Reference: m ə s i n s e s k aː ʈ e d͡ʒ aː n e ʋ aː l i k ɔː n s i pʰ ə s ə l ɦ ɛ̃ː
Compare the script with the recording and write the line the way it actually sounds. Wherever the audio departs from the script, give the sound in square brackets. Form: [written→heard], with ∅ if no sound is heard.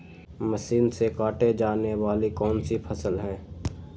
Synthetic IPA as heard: m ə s [i→iː] n s e [s→∅] k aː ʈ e d͡ʒ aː n e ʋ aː l i k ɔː n s i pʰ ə s ə l ɦ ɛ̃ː